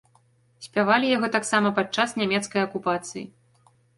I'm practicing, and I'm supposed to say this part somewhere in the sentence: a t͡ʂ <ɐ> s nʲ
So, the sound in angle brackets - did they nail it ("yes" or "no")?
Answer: no